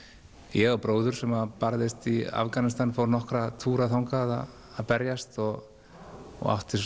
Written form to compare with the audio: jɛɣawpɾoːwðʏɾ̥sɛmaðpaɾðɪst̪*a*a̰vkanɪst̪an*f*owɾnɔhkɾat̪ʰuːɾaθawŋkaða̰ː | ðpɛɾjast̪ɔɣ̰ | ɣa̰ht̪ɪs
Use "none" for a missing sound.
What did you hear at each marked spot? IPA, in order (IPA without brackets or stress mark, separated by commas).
i, f